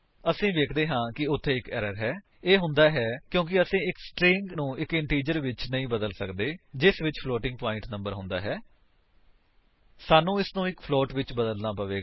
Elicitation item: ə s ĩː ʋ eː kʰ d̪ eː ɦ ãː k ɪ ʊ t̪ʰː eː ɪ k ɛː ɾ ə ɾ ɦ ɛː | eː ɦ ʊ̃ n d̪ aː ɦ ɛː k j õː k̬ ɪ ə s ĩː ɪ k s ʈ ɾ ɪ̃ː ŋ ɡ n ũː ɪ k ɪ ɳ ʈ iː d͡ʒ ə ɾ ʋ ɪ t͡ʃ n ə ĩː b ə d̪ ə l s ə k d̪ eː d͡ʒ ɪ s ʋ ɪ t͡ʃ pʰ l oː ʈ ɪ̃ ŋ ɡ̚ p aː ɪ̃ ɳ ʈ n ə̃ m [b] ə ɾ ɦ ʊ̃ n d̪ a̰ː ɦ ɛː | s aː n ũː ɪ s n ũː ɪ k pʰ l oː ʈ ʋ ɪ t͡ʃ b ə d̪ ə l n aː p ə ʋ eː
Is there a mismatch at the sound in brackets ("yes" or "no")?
no